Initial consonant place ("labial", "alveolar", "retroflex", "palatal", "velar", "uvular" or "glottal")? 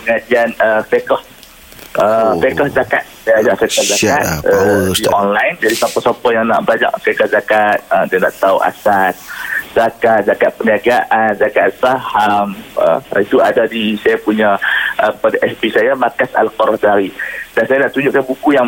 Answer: velar